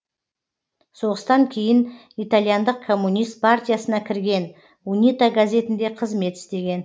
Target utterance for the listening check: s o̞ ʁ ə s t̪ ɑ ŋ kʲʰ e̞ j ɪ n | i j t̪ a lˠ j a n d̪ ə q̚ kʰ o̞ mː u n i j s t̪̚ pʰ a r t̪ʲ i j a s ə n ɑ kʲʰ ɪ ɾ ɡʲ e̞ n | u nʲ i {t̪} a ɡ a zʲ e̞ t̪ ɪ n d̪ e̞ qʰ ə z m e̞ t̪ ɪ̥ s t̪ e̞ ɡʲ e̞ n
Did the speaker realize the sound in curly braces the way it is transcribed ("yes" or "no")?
yes